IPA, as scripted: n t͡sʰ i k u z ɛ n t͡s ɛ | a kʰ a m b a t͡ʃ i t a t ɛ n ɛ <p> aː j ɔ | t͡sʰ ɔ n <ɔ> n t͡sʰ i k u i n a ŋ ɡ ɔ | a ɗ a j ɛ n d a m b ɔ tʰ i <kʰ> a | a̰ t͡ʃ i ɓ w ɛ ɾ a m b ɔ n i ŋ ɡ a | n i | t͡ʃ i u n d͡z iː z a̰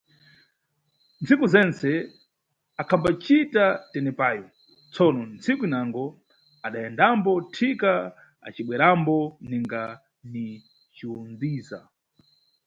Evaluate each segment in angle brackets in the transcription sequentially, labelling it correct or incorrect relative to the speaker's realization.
correct, correct, incorrect: k

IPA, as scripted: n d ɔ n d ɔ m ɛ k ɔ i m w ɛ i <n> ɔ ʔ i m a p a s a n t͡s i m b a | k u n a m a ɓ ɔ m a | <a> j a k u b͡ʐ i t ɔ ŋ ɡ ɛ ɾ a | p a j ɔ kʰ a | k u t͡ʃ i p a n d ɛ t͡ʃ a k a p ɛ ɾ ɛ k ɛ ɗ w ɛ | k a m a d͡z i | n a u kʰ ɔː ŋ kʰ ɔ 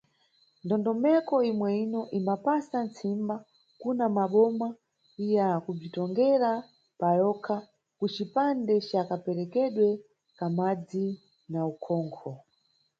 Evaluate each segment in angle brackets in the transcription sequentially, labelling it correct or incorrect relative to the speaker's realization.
correct, incorrect: i

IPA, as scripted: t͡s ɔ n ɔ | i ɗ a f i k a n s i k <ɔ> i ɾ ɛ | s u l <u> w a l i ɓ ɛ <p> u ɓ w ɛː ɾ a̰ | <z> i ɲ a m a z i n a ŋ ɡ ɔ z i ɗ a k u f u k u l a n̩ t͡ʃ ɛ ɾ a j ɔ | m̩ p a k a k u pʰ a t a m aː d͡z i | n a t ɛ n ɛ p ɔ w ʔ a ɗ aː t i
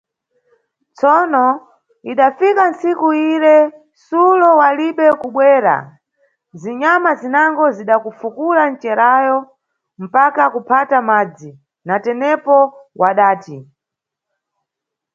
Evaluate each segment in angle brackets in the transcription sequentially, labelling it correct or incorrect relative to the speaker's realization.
incorrect: u, incorrect: ɔ, incorrect: k, correct

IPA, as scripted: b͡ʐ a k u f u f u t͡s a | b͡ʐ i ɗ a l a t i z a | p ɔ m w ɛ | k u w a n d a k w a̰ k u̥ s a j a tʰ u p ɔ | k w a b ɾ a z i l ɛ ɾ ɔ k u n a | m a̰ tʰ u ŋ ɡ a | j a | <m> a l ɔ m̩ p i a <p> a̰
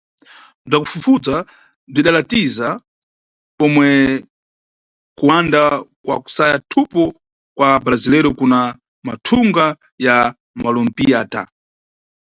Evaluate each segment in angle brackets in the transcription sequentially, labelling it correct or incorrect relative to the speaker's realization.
correct, incorrect: t

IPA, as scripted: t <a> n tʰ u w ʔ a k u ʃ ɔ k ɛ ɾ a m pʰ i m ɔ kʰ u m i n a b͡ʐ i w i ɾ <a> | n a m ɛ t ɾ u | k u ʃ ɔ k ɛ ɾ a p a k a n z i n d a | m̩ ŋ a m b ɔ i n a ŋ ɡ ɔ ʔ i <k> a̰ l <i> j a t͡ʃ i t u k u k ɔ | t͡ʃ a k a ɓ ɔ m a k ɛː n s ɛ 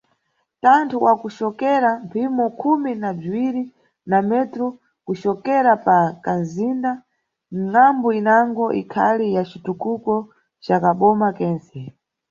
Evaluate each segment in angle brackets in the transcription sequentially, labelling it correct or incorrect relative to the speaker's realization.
correct, incorrect: i, incorrect: kʰ, correct

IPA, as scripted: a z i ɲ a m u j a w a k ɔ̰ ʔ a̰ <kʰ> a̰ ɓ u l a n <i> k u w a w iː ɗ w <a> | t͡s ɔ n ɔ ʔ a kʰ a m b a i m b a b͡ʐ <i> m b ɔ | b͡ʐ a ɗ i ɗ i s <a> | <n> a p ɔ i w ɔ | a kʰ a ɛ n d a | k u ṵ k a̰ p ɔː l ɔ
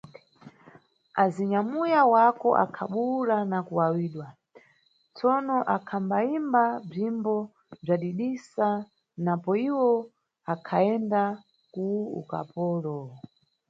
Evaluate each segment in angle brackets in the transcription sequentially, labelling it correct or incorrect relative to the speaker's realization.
correct, incorrect: a, correct, correct, correct, correct

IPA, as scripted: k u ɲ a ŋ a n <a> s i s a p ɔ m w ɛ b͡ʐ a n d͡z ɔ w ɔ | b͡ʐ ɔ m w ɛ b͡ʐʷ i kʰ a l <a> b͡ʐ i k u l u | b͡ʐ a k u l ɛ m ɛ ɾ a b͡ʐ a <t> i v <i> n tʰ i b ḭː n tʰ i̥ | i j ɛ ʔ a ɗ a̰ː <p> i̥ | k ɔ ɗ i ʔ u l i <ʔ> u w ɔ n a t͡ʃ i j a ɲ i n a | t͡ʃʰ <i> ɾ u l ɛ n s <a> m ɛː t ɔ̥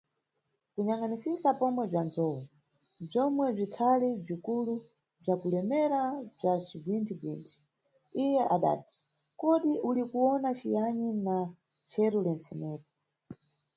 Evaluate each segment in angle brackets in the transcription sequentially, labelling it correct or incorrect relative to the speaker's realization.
incorrect: i, incorrect: i, incorrect: t͡ʃ, correct, incorrect: t, incorrect: k, incorrect: ɛ, incorrect: ɛ

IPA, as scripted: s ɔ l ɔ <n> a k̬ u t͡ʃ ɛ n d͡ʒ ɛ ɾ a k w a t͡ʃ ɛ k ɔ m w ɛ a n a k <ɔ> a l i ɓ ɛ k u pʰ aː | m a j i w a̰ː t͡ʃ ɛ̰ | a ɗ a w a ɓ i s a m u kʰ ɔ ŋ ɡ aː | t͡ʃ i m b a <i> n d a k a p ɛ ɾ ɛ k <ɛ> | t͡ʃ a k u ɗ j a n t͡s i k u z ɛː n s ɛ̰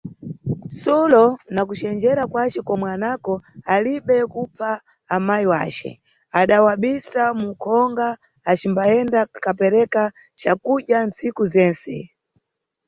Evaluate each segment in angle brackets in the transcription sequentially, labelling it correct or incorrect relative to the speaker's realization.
correct, correct, incorrect: ɛ, incorrect: a

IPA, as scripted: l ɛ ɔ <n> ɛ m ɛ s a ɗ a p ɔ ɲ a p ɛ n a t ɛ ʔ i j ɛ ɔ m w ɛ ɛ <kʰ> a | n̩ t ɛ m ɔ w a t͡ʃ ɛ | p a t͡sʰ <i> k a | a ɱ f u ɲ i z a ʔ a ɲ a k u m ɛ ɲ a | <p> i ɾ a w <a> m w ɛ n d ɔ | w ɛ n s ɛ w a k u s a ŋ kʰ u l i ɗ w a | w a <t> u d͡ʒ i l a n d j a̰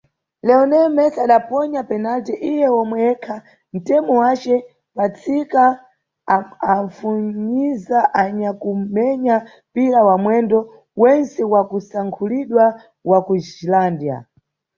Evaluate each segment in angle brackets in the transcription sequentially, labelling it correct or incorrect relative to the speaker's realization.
correct, correct, correct, correct, correct, incorrect: k

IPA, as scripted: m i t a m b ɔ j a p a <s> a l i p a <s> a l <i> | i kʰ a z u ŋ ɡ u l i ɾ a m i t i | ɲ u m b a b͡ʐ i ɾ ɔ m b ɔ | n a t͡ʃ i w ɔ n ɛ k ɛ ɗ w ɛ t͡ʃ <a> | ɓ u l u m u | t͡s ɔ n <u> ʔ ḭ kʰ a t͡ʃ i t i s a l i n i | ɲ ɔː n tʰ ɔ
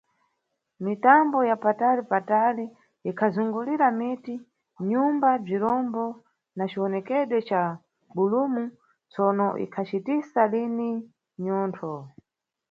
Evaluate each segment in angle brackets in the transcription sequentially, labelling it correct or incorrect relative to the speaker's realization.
incorrect: t, incorrect: t, correct, correct, incorrect: ɔ

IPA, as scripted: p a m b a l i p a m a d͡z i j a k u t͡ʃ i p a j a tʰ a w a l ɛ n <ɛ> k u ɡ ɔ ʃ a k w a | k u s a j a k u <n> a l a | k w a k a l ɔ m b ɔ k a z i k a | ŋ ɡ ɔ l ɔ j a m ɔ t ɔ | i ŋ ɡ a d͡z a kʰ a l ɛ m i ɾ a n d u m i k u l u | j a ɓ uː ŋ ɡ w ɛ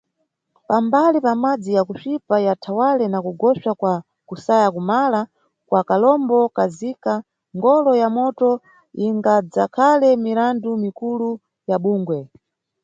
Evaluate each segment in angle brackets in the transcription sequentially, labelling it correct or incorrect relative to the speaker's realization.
incorrect: a, incorrect: m

